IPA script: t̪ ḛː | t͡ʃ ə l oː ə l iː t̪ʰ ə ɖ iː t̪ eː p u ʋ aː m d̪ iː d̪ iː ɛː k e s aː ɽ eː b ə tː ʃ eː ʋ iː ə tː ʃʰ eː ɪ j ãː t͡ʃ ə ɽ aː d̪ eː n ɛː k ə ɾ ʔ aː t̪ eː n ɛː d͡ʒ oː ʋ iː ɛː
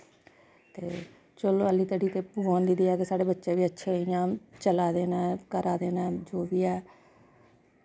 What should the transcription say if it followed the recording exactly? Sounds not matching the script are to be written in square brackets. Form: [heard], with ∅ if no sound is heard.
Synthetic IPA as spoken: t̪ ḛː | t͡ʃ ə l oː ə l iː [t̪] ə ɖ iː t̪ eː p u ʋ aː [n] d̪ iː d̪ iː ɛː k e s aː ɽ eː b ə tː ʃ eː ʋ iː ə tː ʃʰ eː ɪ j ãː t͡ʃ ə [l] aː d̪ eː n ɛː k ə ɾ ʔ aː [d̪] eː n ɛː d͡ʒ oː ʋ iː ɛː